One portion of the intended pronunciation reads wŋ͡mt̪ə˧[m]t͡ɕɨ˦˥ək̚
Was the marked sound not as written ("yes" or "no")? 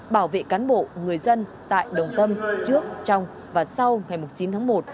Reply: no